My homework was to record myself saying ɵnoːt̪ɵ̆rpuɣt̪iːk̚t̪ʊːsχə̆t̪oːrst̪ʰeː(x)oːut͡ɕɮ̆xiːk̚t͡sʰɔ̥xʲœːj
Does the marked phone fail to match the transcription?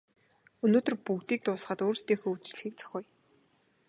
no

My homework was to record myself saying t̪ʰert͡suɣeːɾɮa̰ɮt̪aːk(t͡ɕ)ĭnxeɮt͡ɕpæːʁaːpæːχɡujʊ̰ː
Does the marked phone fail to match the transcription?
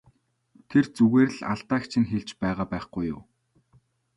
yes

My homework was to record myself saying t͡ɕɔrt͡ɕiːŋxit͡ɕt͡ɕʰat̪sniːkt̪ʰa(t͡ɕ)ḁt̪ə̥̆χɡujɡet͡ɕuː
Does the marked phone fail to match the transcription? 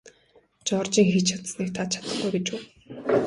yes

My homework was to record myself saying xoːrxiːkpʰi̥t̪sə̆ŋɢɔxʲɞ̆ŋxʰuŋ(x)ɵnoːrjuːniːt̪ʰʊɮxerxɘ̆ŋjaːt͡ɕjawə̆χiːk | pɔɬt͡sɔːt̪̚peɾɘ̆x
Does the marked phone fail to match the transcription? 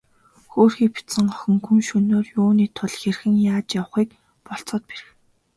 yes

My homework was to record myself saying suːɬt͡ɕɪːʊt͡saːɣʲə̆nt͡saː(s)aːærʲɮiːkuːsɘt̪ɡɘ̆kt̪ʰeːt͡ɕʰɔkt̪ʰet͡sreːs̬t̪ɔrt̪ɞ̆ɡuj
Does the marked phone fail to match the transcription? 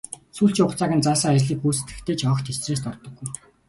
no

